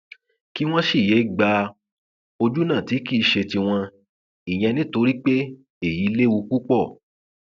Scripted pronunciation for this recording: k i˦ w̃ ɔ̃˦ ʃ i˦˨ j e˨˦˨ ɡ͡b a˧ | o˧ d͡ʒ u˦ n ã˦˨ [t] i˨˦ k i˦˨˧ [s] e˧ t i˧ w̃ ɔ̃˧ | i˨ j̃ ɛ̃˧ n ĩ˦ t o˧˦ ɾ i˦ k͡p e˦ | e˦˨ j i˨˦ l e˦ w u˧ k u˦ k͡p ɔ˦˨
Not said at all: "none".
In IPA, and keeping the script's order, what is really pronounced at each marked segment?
t, ʃ

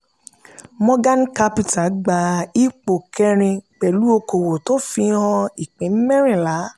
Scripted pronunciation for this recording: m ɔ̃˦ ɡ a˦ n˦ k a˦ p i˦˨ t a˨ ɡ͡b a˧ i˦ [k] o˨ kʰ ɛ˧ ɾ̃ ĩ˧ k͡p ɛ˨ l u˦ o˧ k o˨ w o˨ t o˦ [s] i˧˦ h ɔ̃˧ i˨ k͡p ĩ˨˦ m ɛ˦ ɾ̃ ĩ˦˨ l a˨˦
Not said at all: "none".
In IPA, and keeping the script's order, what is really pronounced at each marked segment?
k͡p, f

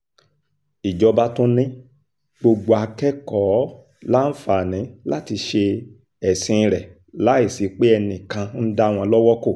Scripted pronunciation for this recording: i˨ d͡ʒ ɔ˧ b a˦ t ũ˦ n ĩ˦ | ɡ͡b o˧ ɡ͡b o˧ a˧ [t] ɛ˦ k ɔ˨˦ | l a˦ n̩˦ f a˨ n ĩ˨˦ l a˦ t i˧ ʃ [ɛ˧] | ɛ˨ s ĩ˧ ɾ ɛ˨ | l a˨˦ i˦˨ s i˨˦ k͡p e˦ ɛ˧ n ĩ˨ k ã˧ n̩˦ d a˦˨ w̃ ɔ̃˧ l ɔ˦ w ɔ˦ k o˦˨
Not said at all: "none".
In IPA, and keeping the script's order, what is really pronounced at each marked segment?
k, e˧

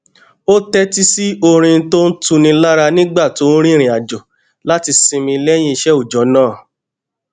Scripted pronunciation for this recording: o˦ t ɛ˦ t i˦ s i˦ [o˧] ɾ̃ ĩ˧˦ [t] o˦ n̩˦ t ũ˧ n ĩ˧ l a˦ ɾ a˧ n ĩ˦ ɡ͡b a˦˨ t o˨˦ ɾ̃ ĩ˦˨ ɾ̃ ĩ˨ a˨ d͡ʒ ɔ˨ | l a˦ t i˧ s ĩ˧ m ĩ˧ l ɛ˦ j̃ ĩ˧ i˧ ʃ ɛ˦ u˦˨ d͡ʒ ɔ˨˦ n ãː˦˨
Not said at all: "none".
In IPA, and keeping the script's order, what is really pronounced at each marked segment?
o˧, t

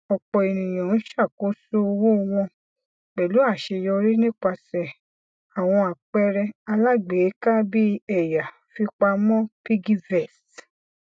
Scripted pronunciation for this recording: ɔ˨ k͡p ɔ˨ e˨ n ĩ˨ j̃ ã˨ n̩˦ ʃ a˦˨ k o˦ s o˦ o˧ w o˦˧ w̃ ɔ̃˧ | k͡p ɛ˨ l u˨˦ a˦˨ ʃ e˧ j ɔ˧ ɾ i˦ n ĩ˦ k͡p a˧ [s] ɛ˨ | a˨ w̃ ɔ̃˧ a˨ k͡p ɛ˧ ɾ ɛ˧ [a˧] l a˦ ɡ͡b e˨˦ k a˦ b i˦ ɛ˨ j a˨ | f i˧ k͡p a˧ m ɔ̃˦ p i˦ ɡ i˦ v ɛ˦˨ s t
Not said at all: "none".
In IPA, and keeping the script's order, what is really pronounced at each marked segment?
s, a˧

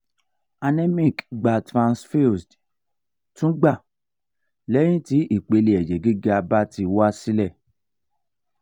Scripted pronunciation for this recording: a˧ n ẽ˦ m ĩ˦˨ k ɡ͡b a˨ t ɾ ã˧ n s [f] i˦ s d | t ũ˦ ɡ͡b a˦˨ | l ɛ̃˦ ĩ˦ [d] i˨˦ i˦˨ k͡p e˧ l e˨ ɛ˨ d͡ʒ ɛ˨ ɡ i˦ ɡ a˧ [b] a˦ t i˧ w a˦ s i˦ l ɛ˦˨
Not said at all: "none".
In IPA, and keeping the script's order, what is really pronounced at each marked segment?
f, t, b

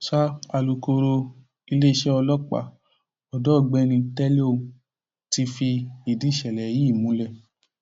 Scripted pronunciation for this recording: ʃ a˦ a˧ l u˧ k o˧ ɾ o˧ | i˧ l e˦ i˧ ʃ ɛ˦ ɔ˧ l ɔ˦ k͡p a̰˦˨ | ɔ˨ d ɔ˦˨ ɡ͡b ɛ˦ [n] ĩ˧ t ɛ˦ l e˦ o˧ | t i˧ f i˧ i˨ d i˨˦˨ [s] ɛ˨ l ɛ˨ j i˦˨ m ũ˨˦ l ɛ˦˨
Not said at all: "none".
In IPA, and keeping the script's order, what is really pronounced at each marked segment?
n, ʃ

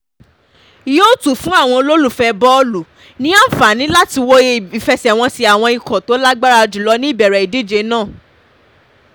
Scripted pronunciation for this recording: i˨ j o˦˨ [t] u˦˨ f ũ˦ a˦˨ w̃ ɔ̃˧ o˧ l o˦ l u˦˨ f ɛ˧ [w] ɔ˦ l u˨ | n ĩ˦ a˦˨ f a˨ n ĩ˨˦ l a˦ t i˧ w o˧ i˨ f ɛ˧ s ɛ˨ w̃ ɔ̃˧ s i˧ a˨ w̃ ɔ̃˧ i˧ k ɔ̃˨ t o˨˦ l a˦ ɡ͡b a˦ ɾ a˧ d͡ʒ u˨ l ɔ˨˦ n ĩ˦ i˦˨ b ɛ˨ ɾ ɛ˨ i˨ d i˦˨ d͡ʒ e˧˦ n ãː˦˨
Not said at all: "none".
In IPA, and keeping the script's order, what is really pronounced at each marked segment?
t, b

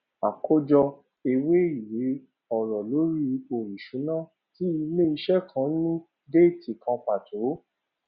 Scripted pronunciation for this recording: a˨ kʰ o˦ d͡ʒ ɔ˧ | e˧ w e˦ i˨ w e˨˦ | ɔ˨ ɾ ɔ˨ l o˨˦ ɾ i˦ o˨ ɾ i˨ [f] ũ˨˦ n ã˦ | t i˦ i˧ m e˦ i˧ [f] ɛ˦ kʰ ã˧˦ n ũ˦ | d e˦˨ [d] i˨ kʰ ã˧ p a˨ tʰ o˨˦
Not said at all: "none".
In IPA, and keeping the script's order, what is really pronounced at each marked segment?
ʃ, ʃ, t

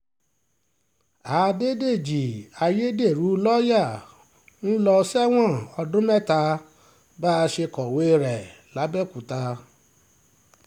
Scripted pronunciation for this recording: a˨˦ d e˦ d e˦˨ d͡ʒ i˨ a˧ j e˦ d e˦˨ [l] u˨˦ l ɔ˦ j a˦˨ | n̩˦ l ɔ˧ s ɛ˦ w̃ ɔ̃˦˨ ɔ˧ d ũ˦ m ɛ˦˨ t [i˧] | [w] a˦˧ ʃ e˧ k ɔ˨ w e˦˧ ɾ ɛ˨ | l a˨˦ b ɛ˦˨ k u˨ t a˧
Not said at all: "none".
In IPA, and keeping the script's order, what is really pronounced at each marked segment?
ɾ, a˧, b

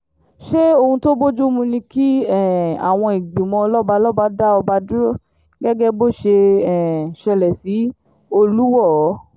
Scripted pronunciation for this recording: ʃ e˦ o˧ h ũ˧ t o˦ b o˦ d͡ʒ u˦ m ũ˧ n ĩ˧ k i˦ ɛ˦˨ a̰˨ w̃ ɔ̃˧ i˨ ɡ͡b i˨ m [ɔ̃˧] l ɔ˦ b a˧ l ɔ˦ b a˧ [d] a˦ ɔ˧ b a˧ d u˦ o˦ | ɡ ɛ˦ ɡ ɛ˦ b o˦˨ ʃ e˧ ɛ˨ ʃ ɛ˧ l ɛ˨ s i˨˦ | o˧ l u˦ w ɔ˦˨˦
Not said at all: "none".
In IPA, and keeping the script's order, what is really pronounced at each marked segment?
ɔ̃˧, d

